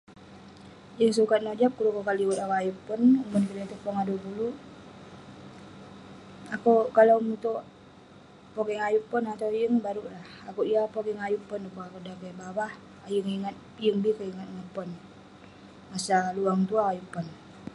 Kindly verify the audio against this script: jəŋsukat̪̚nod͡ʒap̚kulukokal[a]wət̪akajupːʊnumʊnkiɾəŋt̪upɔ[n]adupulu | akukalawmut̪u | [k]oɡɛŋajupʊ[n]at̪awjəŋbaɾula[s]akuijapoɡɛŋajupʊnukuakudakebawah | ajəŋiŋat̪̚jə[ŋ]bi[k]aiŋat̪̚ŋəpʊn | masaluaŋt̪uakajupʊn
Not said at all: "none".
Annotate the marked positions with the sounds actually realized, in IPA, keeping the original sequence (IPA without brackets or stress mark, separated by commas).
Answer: i, ŋ, p, n, h, ŋ, k